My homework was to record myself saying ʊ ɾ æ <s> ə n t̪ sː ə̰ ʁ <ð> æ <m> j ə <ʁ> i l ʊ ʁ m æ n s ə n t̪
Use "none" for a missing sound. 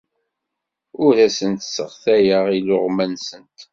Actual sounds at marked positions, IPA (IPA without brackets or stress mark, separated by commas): s, θ, none, ʁ